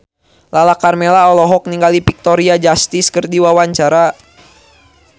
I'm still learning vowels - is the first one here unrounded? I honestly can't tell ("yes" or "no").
yes